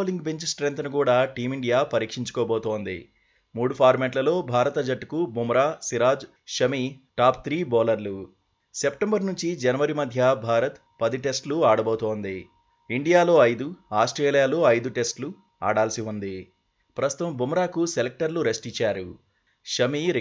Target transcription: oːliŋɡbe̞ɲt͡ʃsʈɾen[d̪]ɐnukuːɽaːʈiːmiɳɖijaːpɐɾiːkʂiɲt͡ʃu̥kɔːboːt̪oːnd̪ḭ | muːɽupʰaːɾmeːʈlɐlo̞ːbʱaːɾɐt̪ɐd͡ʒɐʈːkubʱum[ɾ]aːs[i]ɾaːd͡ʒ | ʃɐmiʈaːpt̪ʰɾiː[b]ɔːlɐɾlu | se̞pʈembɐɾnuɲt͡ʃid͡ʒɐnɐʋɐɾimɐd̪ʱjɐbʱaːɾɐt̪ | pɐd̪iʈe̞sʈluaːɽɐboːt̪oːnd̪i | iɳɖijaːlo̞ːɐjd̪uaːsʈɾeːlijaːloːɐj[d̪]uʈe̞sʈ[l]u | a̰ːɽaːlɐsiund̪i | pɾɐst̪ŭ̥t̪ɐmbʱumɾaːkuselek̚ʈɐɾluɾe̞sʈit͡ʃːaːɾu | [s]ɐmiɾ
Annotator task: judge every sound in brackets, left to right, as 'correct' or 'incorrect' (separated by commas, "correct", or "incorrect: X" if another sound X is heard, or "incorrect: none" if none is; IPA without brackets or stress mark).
incorrect: t̪, correct, correct, correct, correct, correct, incorrect: ʃ